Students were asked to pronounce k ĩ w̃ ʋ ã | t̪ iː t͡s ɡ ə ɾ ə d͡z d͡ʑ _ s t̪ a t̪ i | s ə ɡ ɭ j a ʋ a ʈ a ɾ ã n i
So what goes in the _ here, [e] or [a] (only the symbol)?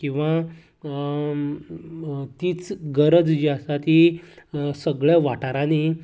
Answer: a